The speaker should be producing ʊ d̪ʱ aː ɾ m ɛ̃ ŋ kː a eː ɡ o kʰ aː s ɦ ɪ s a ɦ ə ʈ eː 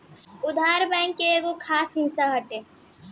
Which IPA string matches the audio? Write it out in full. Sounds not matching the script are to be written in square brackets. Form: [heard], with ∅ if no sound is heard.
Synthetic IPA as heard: ʊ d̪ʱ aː ɾ [b] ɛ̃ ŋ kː [e] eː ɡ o kʰ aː s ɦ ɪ s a ɦ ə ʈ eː

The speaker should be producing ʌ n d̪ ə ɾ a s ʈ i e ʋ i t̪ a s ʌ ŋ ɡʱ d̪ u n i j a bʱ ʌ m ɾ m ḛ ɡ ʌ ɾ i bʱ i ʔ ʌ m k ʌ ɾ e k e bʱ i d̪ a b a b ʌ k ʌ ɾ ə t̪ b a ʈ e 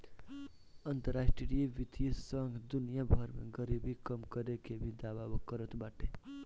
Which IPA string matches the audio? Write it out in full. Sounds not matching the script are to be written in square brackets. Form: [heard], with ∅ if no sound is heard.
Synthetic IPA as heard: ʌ n [t̪] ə ɾ a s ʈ i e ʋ i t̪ [i] s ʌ ŋ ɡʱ d̪ u n i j a bʱ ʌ [∅] ɾ m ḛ ɡ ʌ ɾ i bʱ i [k] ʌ m k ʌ ɾ e k e bʱ i d̪ a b a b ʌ k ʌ ɾ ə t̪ b a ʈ e

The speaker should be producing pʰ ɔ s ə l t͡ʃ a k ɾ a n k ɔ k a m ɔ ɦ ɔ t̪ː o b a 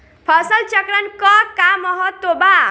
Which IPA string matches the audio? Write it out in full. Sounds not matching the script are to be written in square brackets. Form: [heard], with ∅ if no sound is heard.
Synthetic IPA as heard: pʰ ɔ s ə l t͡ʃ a k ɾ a n k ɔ k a m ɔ ɦ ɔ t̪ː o b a

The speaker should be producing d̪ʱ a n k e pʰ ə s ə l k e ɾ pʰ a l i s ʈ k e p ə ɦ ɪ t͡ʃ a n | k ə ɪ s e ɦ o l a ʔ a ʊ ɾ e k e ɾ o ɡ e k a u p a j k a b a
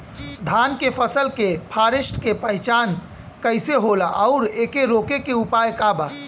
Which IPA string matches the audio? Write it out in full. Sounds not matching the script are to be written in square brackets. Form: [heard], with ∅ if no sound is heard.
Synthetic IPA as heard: d̪ʱ a n k e pʰ ə s ə l k e [∅] pʰ a [ɾ] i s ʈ k e p ə ɦ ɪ t͡ʃ a n | k ə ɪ s e ɦ o l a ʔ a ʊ ɾ e k e ɾ o [k] e k [e] u p a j k a b a

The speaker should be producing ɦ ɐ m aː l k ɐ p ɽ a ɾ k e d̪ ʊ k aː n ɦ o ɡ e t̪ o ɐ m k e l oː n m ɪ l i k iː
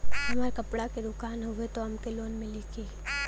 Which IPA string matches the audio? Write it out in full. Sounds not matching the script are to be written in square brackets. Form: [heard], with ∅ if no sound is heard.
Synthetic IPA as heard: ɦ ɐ m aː [ɾ] k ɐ p ɽ a [∅] k e d̪ ʊ k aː n ɦ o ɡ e t̪ o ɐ m k e l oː n m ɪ l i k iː

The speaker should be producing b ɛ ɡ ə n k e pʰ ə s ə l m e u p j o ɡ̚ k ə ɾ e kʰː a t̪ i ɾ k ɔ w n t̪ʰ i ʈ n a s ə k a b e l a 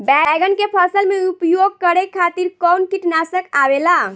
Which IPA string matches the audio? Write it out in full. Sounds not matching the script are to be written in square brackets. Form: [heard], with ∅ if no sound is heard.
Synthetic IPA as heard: b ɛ ɡ ə n k e pʰ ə s ə l m e u p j o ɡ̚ k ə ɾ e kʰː a t̪ i ɾ k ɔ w n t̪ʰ i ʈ n a s ə k a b e l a

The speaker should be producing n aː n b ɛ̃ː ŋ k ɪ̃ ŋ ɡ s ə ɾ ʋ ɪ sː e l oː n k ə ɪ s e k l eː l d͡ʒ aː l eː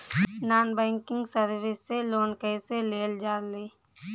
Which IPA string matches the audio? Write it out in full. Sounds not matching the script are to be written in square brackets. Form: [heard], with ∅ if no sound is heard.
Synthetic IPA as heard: n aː n b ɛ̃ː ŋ k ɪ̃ ŋ ɡ s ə ɾ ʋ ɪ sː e l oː n k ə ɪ s e [∅] l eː l d͡ʒ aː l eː

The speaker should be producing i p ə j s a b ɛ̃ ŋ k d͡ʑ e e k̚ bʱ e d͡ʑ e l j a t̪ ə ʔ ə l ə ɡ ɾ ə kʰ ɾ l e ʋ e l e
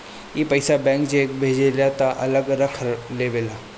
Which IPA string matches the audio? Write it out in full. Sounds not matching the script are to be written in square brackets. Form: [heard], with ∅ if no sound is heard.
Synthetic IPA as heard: i p ə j s a b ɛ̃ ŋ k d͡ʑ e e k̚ bʱ e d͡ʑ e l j a t̪ [a] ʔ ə l ə ɡ ɾ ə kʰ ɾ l e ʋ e l [a]

